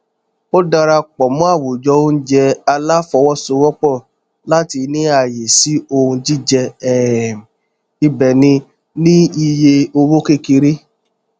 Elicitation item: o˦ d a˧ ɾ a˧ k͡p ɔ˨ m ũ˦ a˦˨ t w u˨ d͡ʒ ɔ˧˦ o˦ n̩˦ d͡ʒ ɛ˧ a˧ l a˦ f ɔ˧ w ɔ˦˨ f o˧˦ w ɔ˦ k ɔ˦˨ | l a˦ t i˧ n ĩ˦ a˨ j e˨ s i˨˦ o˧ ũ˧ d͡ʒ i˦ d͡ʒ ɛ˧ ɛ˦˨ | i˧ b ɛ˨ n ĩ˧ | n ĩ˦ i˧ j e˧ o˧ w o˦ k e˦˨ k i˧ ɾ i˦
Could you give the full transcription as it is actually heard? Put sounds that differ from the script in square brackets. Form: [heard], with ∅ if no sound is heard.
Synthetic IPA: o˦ d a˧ ɾ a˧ k͡p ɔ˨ m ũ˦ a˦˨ [∅] w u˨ d͡ʒ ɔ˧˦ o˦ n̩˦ d͡ʒ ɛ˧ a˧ l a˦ f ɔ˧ w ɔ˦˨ [s] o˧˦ w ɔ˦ [k͡p] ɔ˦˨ | l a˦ t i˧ n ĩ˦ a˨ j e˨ s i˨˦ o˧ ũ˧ d͡ʒ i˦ d͡ʒ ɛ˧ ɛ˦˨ | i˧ b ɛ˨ n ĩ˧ | n ĩ˦ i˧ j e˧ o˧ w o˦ k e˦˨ k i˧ ɾ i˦